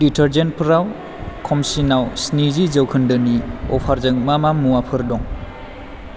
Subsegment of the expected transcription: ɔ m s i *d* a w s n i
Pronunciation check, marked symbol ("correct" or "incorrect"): incorrect